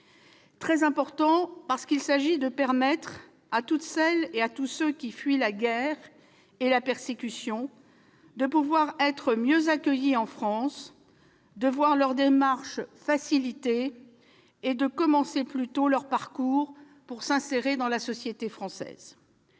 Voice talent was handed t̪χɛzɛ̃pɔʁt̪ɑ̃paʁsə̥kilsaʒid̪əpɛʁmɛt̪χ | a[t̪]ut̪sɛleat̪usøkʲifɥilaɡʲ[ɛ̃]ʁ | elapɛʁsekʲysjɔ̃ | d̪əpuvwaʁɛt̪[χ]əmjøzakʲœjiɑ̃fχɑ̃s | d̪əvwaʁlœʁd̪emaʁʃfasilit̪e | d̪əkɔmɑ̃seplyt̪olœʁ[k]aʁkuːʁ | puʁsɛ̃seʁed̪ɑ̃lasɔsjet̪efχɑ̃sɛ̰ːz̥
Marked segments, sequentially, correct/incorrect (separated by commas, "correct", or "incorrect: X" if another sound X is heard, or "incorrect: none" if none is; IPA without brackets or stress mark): correct, incorrect: ɛ, correct, incorrect: p